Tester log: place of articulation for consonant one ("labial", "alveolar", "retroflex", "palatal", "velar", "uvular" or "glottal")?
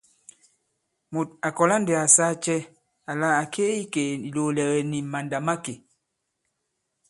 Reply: labial